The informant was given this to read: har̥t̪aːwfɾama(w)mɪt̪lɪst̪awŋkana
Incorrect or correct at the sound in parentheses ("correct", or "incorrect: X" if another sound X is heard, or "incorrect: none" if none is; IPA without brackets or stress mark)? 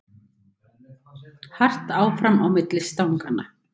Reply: correct